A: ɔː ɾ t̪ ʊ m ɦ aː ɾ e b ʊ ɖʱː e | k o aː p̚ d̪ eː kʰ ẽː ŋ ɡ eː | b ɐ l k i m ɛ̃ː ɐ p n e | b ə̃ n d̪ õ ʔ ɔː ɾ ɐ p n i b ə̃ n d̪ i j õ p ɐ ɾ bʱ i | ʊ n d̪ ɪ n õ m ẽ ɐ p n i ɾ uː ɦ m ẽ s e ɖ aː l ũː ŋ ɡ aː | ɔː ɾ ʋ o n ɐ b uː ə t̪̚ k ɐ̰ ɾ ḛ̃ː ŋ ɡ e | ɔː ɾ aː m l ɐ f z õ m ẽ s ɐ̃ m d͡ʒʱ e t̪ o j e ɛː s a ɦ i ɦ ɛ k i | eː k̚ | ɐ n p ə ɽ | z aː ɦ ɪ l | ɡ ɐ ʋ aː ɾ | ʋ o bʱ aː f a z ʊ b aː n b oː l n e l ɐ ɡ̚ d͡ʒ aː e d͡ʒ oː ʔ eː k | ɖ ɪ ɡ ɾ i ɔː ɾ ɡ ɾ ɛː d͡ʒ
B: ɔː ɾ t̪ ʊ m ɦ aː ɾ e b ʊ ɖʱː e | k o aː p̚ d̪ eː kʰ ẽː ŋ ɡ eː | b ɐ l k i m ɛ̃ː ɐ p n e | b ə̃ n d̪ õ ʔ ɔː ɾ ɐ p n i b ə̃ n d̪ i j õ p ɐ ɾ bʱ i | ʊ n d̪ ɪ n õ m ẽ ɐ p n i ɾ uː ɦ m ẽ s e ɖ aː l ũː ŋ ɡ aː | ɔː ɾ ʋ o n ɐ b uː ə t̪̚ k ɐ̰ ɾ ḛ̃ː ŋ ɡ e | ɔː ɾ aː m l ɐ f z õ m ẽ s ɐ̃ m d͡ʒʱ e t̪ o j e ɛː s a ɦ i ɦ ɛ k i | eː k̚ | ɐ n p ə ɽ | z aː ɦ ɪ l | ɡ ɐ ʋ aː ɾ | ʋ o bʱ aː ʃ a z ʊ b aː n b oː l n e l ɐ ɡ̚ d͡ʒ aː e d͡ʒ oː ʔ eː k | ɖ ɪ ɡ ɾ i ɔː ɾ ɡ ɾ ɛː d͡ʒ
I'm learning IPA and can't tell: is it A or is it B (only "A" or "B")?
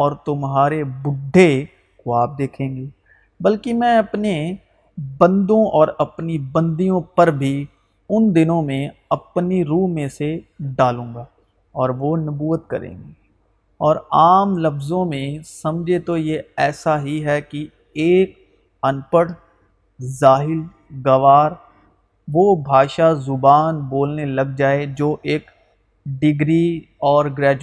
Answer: B